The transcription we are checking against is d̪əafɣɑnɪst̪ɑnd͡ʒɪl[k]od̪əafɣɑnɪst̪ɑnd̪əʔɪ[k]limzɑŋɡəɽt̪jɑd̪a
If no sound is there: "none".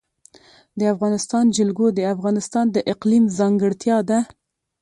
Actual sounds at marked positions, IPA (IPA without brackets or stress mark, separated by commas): ɡ, q